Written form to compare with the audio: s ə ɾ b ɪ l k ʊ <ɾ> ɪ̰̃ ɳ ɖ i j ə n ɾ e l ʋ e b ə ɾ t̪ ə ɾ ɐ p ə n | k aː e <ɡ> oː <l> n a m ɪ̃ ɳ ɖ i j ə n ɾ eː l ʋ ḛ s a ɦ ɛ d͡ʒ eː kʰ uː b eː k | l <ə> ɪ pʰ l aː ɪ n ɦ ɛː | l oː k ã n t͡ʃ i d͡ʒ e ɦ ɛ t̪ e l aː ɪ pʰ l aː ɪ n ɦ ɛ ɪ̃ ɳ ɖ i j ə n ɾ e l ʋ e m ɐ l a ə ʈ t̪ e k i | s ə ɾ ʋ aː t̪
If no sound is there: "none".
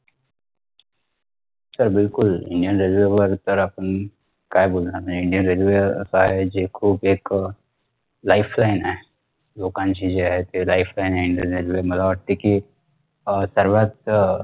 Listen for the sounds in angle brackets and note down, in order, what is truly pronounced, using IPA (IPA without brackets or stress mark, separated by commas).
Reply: l, b, l, a